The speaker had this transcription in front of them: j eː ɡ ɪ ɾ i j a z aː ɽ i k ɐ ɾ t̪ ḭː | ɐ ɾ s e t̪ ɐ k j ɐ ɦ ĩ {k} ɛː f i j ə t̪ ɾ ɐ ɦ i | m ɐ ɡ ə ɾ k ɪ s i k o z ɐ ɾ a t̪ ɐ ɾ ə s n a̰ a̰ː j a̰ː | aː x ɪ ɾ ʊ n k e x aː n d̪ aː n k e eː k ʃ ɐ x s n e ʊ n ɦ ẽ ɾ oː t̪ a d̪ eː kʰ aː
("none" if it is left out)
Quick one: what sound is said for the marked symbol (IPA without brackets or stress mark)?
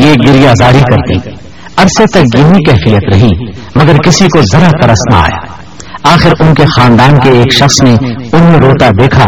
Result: k